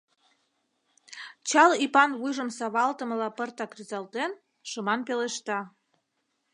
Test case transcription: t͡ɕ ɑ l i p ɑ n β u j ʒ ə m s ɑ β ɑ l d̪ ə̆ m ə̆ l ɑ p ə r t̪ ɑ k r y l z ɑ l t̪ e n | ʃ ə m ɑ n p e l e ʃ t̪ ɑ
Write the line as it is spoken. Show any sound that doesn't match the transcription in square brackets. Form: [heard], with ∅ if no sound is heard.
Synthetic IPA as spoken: t͡ɕ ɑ l i p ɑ n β u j ʒ ə m s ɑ β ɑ l [t̪] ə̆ m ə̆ l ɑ p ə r t̪ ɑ k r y [∅] z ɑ l t̪ e n | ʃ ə m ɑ n p e l e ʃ t̪ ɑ